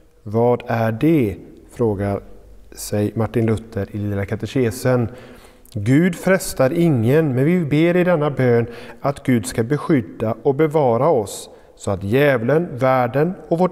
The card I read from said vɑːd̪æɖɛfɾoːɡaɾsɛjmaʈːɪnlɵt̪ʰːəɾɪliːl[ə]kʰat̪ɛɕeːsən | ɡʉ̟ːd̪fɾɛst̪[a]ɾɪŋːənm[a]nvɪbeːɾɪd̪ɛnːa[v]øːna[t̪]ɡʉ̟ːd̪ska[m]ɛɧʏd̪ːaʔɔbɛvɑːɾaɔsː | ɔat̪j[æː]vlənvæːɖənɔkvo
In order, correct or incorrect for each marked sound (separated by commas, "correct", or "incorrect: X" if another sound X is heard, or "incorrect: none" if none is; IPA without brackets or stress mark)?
incorrect: a, correct, incorrect: ɛ, incorrect: b, correct, incorrect: b, incorrect: ɛː